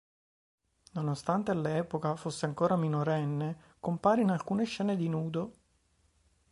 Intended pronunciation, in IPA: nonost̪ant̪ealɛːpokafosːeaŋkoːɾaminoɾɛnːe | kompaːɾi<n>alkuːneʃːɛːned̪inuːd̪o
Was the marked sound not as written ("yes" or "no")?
no